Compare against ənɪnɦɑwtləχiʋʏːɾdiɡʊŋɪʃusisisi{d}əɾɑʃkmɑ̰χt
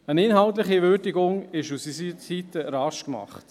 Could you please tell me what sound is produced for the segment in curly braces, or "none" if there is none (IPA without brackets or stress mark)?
t